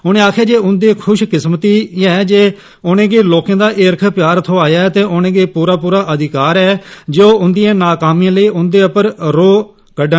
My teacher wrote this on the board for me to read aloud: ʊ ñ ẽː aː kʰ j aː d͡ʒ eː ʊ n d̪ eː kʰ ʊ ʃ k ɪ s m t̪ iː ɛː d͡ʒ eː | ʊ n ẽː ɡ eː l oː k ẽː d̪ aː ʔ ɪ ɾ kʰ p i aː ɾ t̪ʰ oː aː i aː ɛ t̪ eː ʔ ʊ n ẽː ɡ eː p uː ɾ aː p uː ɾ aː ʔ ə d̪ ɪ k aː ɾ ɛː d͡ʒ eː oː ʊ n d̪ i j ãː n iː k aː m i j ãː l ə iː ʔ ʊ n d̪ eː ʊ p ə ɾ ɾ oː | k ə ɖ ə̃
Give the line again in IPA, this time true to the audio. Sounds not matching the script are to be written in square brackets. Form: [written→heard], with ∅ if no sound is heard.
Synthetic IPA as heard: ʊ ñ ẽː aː kʰ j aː d͡ʒ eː ʊ n d̪ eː kʰ ʊ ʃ k ɪ s m t̪ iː ɛː d͡ʒ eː | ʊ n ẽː ɡ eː l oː k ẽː d̪ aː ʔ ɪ ɾ kʰ p [i→j] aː ɾ t̪ʰ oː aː [i→j] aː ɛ t̪ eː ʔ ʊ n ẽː ɡ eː p uː ɾ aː p uː ɾ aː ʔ ə d̪ ɪ k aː ɾ ɛː d͡ʒ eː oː ʊ n d̪ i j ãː n [iː→aː] k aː m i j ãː l ə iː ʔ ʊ n d̪ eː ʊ p ə ɾ ɾ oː | k ə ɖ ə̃